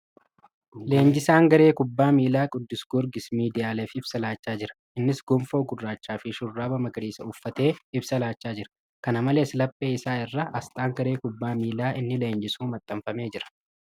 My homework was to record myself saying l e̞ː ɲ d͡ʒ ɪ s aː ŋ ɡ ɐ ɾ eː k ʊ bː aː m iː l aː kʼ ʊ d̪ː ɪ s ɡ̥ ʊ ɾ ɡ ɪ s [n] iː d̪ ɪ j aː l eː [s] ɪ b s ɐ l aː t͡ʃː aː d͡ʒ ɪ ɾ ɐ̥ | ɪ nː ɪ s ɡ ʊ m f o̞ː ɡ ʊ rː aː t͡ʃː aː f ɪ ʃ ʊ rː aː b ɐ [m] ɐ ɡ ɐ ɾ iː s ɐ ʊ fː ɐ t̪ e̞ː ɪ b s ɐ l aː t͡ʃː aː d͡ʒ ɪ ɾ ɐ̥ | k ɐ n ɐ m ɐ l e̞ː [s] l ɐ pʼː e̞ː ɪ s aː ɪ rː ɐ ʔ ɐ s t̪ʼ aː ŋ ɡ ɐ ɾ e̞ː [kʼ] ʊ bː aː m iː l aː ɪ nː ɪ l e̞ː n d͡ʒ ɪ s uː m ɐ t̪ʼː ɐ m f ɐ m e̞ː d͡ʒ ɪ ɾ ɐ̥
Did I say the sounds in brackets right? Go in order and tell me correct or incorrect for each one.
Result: incorrect: m, incorrect: f, correct, correct, incorrect: k

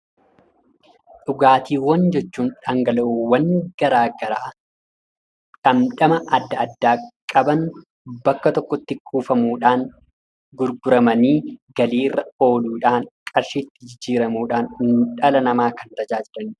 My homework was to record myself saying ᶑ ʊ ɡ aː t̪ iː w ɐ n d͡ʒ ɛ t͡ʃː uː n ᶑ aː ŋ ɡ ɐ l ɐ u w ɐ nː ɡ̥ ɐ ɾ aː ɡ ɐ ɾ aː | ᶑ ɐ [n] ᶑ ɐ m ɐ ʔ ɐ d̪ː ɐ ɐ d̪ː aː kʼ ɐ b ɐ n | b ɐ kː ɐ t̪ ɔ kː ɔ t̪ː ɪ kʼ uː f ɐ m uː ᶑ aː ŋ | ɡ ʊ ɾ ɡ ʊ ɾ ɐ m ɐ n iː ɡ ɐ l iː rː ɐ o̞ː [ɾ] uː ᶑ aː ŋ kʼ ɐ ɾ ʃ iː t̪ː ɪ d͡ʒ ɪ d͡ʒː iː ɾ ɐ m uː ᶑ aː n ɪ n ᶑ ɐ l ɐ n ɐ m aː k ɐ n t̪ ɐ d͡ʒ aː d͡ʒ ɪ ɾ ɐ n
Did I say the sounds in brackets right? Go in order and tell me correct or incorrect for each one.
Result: incorrect: m, incorrect: l

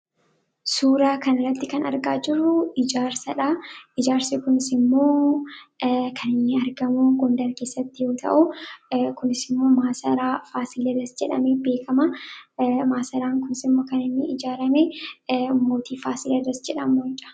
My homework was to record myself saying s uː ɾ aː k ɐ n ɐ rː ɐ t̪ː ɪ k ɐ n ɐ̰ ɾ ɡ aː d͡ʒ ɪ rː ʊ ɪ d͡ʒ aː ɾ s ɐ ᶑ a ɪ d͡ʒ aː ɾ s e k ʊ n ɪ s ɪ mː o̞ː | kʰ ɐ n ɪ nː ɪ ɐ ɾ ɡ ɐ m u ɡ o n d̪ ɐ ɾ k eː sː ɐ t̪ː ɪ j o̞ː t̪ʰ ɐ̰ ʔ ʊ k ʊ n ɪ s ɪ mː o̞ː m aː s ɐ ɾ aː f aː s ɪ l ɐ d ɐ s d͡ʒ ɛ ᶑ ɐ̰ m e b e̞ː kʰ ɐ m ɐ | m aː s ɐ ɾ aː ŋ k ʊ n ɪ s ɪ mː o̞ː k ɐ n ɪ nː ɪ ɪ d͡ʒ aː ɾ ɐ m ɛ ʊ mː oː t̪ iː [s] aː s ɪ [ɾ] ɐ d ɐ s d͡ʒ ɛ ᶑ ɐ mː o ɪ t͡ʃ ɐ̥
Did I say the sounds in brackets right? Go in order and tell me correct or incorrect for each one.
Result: incorrect: f, incorrect: l

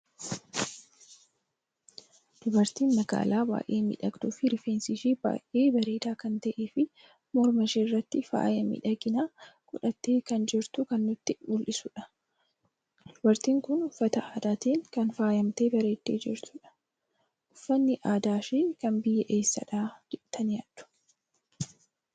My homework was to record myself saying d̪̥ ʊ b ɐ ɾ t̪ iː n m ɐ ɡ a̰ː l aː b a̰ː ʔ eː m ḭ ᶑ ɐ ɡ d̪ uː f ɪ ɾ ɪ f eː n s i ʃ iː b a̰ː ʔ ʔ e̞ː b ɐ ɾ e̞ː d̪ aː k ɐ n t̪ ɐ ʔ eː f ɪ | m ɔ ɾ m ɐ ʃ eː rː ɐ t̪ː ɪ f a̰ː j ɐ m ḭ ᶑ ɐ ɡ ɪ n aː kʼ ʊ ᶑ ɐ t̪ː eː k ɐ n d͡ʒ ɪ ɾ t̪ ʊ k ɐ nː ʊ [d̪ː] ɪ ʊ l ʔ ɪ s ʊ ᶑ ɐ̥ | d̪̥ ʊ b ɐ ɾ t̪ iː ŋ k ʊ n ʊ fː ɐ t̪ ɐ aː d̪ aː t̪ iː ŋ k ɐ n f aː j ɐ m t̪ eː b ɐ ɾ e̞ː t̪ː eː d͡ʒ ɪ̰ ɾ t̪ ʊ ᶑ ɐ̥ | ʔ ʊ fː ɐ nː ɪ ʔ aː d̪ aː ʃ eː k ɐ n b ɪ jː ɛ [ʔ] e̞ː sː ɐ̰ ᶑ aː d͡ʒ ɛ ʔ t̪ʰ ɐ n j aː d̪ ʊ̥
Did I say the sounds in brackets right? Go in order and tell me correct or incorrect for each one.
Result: incorrect: t̪ː, correct

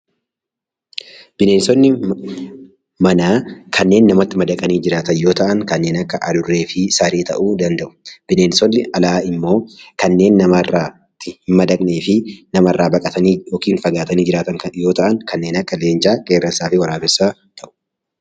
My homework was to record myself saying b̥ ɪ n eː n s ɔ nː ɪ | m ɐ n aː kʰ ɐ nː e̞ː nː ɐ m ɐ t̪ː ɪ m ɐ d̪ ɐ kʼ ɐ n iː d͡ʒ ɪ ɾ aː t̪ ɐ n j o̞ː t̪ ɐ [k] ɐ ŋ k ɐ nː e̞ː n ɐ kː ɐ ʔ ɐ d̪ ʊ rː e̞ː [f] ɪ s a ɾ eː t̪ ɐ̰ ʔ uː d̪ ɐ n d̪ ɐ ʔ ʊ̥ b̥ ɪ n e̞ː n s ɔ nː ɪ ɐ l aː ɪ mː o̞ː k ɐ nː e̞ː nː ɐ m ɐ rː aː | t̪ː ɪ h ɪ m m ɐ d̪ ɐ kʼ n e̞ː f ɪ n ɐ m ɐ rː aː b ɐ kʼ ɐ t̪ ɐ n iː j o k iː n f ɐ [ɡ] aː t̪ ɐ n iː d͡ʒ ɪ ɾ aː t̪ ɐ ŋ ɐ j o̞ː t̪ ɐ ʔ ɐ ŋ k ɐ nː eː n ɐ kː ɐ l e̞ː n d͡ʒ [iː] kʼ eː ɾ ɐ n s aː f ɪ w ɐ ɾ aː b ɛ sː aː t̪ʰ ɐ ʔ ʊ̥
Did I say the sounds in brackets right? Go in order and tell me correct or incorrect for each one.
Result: incorrect: ʔ, correct, correct, incorrect: aː

